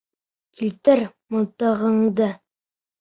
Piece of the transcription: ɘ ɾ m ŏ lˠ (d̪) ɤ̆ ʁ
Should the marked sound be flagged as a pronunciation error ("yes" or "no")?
yes